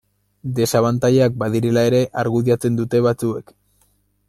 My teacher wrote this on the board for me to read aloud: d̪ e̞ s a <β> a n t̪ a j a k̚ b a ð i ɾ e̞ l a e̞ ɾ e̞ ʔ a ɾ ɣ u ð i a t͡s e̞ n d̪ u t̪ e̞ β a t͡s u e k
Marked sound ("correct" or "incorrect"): correct